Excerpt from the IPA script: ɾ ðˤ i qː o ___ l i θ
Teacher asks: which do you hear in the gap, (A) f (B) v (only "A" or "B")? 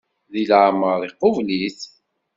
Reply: B